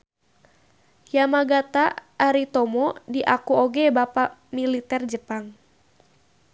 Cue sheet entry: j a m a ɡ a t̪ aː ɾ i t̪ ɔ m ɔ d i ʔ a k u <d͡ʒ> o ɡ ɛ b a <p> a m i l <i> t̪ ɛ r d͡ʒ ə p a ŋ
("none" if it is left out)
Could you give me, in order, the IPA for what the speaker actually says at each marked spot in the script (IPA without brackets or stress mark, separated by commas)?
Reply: none, p, i